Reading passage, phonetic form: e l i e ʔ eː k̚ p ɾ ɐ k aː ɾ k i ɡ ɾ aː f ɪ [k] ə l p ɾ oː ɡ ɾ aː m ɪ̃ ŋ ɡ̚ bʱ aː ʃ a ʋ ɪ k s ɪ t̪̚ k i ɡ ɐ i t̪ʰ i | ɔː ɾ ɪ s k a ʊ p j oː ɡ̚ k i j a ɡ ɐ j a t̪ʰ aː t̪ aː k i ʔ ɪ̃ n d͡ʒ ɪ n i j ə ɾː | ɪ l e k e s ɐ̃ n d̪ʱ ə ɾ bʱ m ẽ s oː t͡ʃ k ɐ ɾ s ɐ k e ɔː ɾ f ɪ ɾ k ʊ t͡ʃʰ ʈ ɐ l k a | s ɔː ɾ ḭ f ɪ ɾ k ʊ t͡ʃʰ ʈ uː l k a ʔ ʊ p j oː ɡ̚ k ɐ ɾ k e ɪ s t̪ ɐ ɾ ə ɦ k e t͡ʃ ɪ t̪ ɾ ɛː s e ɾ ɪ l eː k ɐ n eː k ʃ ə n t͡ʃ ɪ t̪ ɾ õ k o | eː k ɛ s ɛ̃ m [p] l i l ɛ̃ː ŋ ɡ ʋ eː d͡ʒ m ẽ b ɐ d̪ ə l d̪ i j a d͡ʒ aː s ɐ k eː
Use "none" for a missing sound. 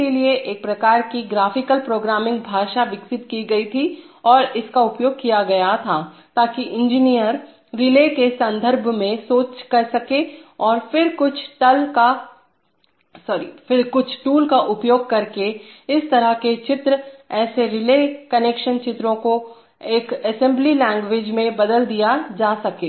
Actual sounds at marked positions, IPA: k, b

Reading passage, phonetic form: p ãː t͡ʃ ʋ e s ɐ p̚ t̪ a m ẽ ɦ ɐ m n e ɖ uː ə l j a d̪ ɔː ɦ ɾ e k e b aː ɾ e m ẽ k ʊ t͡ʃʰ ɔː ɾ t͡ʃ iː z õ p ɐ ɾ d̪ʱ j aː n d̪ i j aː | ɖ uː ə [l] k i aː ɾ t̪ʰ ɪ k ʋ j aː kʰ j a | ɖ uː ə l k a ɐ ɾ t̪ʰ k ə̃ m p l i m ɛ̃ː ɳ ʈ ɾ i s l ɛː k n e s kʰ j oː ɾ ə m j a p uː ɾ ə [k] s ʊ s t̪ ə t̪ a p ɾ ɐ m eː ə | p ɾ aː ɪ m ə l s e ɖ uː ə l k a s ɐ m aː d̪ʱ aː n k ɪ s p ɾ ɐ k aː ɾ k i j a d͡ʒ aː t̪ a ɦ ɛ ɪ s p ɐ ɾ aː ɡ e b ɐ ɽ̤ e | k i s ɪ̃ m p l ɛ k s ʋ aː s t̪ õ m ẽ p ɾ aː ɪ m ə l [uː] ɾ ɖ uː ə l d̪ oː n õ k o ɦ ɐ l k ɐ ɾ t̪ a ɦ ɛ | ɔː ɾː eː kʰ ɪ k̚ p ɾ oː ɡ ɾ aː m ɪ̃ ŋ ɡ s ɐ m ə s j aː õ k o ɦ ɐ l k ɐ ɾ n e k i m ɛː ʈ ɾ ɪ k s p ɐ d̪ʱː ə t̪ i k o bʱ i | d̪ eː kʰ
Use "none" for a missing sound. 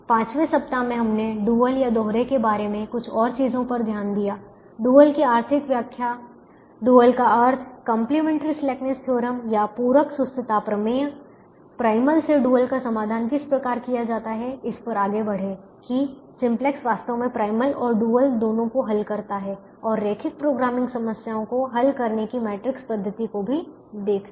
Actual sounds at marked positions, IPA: l, k, ɔː

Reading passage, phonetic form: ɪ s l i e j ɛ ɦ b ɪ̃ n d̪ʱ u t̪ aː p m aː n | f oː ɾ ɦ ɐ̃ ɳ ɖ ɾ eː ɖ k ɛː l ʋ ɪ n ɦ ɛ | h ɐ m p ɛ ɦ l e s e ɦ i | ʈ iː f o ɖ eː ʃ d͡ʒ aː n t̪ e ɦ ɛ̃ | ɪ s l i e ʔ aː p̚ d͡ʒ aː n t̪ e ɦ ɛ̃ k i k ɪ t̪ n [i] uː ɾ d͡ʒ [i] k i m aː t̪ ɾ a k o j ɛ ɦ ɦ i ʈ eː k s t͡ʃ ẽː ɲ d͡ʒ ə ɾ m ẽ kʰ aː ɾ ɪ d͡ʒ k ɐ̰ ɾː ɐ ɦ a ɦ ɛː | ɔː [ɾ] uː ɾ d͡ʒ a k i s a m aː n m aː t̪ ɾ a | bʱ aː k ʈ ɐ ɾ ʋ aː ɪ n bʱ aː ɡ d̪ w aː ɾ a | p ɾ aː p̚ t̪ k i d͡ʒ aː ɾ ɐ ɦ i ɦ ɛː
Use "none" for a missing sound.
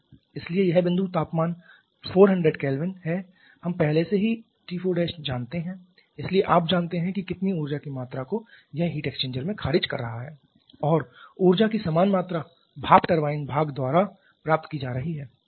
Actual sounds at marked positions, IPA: i, a, ɾ

